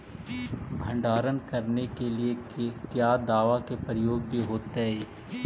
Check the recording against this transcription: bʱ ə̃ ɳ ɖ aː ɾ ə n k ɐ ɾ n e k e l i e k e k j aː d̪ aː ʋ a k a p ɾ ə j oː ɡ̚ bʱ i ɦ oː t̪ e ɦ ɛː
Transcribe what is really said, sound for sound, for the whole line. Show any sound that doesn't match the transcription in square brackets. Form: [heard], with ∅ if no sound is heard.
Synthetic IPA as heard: bʱ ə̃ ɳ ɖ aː ɾ ə n k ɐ ɾ n e k e l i e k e k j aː d̪ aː ʋ a k [e] p ɾ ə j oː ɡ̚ bʱ i ɦ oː t̪ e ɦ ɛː